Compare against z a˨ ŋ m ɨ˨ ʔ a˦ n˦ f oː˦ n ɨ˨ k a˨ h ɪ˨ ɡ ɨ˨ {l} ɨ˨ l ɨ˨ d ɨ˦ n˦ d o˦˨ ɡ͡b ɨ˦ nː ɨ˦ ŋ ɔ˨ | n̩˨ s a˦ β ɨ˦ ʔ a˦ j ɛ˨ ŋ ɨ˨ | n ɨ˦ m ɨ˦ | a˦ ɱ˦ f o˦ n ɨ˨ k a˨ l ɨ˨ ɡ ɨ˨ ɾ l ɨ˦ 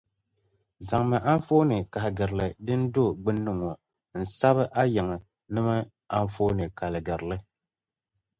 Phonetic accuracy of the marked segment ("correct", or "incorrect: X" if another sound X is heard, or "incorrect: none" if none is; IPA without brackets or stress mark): incorrect: ɾ